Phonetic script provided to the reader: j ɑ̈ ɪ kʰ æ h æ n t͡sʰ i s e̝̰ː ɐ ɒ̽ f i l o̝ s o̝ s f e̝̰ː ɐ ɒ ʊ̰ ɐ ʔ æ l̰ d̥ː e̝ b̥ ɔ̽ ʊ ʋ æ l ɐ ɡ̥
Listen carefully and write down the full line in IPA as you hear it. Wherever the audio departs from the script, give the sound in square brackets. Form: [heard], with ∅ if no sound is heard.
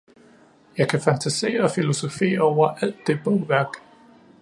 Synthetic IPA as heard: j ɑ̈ ɪ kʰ æ [f] æ n t͡sʰ [æ] s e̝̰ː ɐ ɒ̽ f i l o̝ s o̝ [∅] f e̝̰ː ɐ ɒ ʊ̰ ɐ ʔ æ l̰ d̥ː e̝ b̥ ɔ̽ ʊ ʋ æ [∅] ɐ ɡ̥

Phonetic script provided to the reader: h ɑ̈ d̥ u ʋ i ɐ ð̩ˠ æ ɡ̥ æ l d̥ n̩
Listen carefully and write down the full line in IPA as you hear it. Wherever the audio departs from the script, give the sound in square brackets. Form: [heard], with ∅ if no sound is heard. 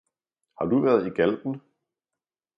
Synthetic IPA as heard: h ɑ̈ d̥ u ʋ [æ] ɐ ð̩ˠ [i] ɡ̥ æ l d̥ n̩

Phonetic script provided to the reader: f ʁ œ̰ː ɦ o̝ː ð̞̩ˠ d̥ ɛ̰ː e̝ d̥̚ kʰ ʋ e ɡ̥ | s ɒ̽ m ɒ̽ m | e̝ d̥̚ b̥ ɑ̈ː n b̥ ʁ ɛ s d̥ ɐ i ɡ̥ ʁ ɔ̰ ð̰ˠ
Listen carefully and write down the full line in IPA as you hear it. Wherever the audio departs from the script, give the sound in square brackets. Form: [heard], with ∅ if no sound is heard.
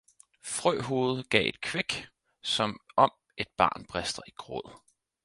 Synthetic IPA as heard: f ʁ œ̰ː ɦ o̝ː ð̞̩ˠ [ɡ̥] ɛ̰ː e̝ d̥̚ kʰ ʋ e ɡ̥ | s ɒ̽ m ɒ̽ m | e̝ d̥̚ b̥ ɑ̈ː n b̥ ʁ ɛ s d̥ ɐ i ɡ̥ ʁ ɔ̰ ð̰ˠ

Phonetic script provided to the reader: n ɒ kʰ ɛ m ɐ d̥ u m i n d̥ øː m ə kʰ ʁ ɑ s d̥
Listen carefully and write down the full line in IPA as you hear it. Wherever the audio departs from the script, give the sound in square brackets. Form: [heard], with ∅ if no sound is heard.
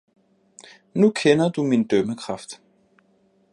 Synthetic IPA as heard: n [u] kʰ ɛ [n] ɐ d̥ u m i n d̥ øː m ə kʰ ʁ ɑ [f] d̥

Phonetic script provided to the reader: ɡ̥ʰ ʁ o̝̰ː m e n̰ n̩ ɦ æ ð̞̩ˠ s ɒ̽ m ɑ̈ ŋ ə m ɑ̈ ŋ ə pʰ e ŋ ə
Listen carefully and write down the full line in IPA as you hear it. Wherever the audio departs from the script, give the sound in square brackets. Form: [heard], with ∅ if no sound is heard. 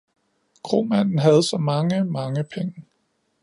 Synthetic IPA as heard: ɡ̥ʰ ʁ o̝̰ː m [æ] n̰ n̩ ɦ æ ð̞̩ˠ s ɒ̽ m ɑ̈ ŋ ə m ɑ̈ ŋ ə pʰ e ŋ ə

